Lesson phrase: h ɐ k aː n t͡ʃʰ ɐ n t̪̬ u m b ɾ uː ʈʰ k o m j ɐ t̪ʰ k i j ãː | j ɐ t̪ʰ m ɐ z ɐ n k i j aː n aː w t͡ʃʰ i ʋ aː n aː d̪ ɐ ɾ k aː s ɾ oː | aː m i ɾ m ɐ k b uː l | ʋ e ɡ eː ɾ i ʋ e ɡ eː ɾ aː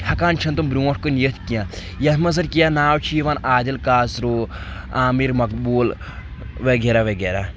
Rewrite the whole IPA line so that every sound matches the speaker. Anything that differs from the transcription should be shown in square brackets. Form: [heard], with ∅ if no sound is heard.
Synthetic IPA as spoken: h ɐ k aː n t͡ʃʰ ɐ n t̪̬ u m b ɾ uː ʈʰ k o [n] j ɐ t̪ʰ k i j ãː | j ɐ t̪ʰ m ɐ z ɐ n k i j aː n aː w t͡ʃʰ i ʋ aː n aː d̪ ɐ [l] k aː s ɾ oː | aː m i ɾ m ɐ k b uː l | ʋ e ɡ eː ɾ [a] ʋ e ɡ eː ɾ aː